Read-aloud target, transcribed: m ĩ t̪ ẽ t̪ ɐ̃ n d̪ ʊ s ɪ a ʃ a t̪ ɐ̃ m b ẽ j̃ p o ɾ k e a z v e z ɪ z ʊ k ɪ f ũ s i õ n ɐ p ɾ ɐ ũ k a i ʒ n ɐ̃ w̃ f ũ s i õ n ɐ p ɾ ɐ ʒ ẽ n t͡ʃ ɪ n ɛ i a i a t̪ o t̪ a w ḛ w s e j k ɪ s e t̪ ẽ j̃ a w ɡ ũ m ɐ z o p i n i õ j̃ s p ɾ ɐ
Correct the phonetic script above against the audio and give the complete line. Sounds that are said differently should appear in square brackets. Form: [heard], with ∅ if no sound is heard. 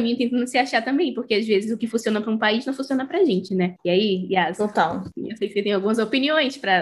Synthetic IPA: m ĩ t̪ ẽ t̪ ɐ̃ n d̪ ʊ s ɪ a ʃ a t̪ ɐ̃ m b ẽ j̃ p o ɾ k e a z v e z ɪ z ʊ k ɪ f ũ s i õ n ɐ p ɾ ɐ ũ [p] a i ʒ n ɐ̃ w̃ f ũ s i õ n ɐ p ɾ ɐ ʒ ẽ n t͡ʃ ɪ n ɛ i a i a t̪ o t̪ a w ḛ w s e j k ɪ s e t̪ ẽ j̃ a w ɡ ũ m ɐ z o p i n i õ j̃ s p ɾ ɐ